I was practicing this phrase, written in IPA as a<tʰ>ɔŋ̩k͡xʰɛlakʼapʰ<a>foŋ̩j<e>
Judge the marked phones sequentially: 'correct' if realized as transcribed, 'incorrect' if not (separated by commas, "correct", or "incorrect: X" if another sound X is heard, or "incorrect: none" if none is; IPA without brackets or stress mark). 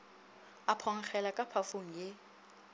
incorrect: pʰ, correct, correct